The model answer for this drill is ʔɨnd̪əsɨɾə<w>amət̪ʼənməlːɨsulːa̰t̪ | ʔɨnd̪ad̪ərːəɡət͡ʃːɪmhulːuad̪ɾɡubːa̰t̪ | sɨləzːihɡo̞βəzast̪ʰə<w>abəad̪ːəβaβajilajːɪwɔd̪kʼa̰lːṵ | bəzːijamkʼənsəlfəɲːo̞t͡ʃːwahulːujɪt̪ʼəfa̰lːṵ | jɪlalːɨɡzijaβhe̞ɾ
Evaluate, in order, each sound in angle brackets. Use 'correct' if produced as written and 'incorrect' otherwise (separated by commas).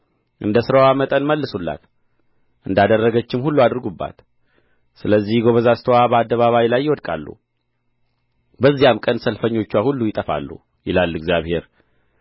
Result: correct, correct